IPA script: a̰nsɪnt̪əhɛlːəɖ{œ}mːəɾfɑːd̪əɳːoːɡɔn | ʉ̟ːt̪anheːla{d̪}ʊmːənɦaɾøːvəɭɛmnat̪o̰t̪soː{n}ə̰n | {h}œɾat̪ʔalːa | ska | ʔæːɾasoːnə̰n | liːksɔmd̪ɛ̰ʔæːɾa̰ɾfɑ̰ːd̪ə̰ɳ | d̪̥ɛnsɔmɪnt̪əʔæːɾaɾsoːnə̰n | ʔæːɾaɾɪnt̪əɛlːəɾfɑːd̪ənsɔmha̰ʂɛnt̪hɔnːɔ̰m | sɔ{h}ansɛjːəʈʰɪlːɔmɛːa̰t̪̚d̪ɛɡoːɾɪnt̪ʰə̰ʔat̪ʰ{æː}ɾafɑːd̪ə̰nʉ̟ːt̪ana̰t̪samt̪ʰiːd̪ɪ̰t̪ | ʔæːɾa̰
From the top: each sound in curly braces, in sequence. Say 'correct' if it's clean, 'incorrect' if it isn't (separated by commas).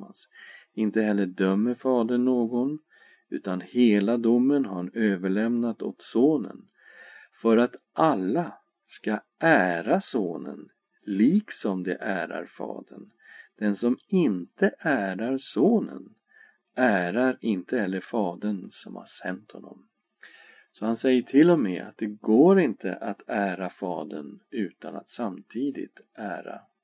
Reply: correct, correct, correct, incorrect, correct, correct